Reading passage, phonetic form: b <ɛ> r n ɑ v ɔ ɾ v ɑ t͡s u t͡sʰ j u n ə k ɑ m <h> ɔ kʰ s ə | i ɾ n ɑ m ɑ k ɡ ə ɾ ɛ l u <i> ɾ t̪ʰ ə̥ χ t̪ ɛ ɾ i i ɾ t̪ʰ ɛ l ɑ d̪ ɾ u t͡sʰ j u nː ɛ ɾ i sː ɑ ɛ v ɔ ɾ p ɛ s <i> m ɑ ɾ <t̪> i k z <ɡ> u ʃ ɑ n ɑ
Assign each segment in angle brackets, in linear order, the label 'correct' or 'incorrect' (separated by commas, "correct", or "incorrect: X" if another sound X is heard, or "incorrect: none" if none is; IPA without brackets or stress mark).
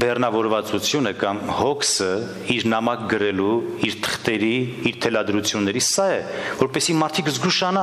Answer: correct, correct, correct, correct, incorrect: t̪ʰ, correct